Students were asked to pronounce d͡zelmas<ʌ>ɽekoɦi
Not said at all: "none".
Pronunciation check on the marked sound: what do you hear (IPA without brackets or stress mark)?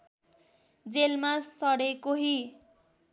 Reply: ʌ